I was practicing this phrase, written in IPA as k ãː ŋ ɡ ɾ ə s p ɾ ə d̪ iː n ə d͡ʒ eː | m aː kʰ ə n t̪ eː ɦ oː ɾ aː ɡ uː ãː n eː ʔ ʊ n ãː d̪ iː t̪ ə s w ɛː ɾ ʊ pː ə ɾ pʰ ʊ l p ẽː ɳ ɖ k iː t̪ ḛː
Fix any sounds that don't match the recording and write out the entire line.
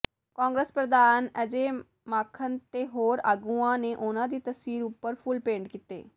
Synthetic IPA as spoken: k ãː ŋ ɡ ɾ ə s p ɾ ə d̪ aː n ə d͡ʒ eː | m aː kʰ ə n t̪ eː ɦ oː ɾ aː ɡ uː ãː n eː ʔ ʊ n ãː d̪ iː t̪ ə s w iː ɾ ʊ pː ə ɾ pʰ ʊ l p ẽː ɳ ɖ k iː t̪ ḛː

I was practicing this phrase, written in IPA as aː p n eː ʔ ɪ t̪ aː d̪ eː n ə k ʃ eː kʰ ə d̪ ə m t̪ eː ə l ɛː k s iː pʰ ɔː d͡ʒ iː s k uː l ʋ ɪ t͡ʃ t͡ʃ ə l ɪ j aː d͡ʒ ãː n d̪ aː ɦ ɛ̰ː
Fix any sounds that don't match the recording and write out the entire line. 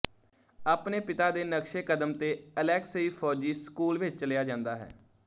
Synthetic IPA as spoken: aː p n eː p ɪ t̪ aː d̪ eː n ə k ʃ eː k ə d̪ ə m t̪ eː ə l ɛː k s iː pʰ ɔː d͡ʒ iː s k uː l ʋ ɪ t͡ʃ t͡ʃ ə l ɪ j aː d͡ʒ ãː n d̪ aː ɦ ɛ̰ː

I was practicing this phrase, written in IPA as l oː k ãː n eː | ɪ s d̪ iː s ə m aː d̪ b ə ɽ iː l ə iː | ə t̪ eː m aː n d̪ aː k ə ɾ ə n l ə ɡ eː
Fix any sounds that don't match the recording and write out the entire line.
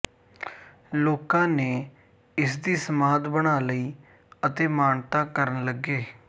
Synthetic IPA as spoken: l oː k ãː n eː | ɪ s d̪ iː s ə m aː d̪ b ə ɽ aː l ə iː | ə t̪ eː m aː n t̪ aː k ə ɾ ə n l ə ɡ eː

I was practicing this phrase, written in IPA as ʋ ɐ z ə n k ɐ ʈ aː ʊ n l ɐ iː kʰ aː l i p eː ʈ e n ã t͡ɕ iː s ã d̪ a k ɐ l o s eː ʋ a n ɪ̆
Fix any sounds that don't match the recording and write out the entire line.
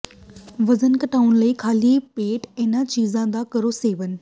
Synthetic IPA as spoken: ʋ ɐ z ə n k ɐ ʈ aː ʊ n l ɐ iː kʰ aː l i p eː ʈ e n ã t͡ɕ iː z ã d̪ a k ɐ ɾ o s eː ʋ ə n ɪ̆

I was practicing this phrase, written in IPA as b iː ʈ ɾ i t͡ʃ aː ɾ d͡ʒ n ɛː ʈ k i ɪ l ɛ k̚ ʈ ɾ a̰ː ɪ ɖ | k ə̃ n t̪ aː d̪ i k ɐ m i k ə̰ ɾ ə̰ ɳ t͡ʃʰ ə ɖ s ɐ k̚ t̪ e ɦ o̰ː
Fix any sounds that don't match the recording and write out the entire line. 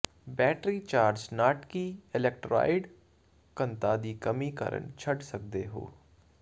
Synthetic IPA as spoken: b ɛː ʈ ɾ i t͡ʃ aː ɾ d͡ʒ n aː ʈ k i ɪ l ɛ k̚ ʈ ɾ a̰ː ɪ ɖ | k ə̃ n t̪ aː d̪ i k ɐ m i k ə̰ ɾ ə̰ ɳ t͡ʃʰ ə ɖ s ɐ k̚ d̪ e ɦ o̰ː

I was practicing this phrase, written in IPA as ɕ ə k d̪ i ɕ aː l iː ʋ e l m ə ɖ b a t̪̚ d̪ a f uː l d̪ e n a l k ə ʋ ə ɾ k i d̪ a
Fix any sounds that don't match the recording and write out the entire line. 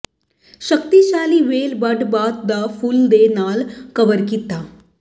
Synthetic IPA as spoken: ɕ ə k t̪ i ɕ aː l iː ʋ e l b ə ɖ b a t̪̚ d̪ a f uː l d̪ e n a l k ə ʋ ə ɾ k i t̪ a

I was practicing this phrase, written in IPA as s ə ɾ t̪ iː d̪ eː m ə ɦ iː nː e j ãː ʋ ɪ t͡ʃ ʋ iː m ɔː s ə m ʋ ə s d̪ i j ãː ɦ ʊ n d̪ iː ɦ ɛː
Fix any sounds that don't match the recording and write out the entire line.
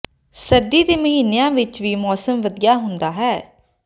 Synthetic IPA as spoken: s ə ɾ d̪ iː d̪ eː m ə ɦ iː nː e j ãː ʋ ɪ t͡ʃ ʋ iː m ɔː s ə m ʋ ə d̪ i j aː ɦ ʊ n d̪ aː ɦ ɛː

